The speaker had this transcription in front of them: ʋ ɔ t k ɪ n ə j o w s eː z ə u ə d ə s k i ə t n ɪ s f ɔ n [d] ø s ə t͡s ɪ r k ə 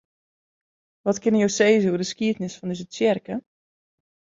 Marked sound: correct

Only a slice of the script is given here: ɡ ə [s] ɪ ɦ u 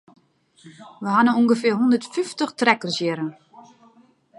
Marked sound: incorrect: f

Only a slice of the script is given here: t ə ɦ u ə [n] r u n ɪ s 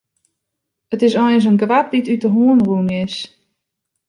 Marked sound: correct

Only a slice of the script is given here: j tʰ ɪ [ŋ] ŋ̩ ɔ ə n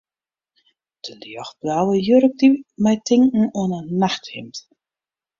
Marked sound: correct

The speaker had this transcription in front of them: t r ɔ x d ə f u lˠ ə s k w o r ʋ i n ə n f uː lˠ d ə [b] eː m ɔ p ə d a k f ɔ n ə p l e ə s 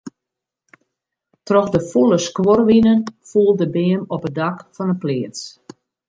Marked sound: correct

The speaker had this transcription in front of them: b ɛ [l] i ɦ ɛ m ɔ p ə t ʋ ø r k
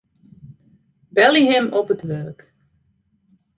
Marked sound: correct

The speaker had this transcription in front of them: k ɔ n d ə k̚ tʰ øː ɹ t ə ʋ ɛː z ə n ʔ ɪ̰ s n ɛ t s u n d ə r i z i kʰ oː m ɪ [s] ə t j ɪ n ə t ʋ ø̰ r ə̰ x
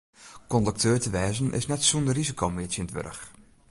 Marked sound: incorrect: none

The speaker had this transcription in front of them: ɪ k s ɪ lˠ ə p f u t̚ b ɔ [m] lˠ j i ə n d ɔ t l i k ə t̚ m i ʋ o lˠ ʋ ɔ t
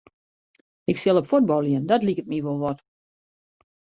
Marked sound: incorrect: none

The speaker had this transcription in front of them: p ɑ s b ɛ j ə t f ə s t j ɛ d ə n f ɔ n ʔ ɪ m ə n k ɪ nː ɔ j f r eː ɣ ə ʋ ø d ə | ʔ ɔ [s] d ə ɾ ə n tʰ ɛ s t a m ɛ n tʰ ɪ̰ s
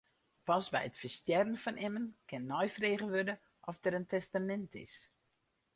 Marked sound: incorrect: f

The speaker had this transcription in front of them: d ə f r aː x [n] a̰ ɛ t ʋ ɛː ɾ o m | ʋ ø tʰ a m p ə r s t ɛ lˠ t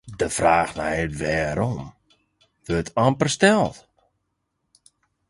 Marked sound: correct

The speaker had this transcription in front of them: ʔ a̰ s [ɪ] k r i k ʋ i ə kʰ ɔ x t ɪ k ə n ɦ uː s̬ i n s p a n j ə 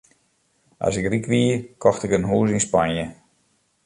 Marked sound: correct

